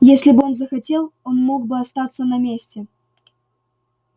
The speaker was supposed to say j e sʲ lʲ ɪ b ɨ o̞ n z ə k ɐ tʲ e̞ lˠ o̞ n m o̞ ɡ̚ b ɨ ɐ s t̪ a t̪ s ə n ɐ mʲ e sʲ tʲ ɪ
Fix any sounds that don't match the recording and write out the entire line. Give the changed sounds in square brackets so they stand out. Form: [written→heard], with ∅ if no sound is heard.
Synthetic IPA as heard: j e sʲ lʲ ɪ b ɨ o̞ n z ə [k→x] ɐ tʲ e̞ lˠ o̞ n m o̞ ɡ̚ b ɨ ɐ s t̪ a t̪ s ə n ɐ mʲ e sʲ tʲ ɪ